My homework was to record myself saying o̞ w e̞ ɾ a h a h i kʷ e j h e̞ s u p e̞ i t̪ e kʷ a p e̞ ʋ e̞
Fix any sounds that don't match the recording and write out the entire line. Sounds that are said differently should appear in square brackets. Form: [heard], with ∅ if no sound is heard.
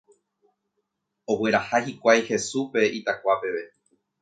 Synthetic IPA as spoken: o̞ w e̞ ɾ a h a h i kʷ [a] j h e̞ s u p e̞ i t̪ [a] kʷ a p e̞ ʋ e̞

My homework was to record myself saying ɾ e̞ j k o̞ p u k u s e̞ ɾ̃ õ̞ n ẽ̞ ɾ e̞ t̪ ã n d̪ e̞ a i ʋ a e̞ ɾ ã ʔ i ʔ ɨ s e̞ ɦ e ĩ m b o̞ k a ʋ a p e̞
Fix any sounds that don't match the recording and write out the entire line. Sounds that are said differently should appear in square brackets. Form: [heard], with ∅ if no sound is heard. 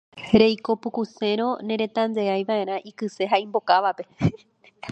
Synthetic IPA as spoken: ɾ e̞ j k o̞ p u k u s e̞ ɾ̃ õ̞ n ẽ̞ ɾ e̞ t̪ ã n d̪ e̞ a [j] ʋ a e̞ ɾ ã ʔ i [k] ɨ s e̞ ɦ [a] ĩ m b o̞ k a ʋ a p e̞

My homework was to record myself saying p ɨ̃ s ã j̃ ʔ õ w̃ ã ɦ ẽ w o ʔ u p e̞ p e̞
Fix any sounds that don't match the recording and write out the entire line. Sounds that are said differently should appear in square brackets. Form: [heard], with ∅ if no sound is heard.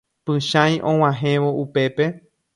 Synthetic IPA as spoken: p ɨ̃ [ʃ] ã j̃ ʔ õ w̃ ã ɦ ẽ [ʋ] o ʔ u p e̞ p e̞

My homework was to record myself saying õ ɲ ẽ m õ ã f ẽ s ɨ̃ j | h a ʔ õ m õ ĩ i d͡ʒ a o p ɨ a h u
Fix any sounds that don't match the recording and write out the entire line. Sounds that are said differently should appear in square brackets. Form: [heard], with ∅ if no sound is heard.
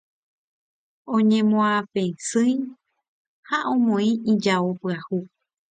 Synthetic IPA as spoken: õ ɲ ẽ m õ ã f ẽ s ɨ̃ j | h a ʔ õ m õ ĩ i d͡ʒ a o p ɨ a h u

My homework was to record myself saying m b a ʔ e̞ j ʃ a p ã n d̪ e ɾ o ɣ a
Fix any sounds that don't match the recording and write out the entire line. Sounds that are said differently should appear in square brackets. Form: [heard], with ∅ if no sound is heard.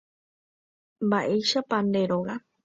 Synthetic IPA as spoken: m b a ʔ e̞ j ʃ a p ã n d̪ e ɾ o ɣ a

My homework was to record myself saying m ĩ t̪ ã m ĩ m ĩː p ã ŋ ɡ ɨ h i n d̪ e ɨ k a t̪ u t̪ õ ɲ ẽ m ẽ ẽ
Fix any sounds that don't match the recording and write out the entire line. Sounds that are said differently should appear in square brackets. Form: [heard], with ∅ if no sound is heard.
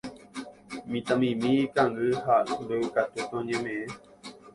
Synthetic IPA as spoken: m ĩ t̪ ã m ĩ m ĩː [k] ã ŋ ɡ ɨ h [a] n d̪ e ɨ k a t̪ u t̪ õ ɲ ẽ m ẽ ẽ

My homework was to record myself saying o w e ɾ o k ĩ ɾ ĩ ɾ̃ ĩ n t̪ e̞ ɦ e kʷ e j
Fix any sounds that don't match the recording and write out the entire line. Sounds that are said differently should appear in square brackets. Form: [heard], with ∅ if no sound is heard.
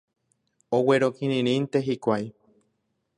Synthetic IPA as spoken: o w e ɾ o k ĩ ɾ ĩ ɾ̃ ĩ n t̪ e̞ ɦ [i] kʷ [a] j

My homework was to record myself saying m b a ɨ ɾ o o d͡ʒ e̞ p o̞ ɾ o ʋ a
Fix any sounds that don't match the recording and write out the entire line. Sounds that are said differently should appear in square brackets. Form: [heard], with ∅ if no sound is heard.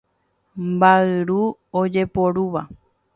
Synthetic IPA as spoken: m b a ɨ ɾ [u] o d͡ʒ e̞ p o̞ ɾ [u] ʋ a

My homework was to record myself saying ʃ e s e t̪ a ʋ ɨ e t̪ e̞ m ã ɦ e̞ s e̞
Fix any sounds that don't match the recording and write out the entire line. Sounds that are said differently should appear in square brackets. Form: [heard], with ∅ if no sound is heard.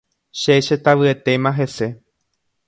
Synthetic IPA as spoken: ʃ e [ʃ] e t̪ a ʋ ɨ e t̪ e̞ m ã ɦ e̞ s e̞

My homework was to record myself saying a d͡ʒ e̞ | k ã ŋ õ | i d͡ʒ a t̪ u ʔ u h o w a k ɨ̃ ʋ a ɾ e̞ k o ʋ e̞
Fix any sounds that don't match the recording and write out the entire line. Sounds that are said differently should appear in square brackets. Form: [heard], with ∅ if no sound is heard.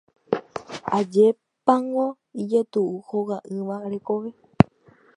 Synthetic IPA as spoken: a d͡ʒ e̞ | [p] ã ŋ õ | i d͡ʒ [e] t̪ u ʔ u h o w a [ʔ] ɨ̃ ʋ a ɾ e̞ k o ʋ e̞

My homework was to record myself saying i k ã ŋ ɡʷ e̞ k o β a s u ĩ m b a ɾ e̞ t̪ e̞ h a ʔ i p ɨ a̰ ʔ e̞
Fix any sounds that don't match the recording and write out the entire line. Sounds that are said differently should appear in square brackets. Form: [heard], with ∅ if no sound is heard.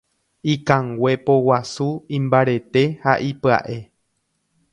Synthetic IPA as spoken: i k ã ŋ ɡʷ e̞ [p] o [w] a s u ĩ m b a ɾ e̞ t̪ e̞ h a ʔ i p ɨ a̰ ʔ e̞

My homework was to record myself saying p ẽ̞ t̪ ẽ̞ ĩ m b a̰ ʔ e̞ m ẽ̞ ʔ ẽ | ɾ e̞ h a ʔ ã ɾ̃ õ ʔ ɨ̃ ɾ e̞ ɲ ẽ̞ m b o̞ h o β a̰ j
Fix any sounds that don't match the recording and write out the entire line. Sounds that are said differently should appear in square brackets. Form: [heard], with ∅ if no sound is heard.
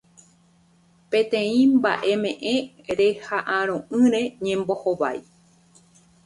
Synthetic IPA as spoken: p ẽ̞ t̪ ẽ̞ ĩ m b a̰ ʔ e̞ m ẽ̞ ʔ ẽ | ɾ e̞ h a ʔ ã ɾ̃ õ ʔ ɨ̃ ɾ e̞ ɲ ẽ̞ m b o̞ h o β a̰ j

